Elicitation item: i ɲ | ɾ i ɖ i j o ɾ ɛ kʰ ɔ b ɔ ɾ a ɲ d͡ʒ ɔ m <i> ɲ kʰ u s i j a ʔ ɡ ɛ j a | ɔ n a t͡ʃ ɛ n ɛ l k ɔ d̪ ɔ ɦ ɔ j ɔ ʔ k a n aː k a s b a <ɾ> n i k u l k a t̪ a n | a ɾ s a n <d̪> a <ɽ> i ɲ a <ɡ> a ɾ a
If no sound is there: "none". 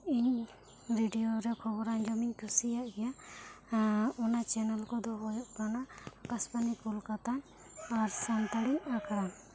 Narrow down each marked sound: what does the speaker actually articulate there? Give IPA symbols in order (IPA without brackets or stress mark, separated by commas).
i, none, t̪, ɽ, k